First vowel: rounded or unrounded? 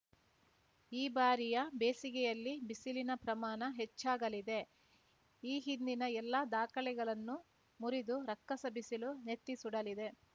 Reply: unrounded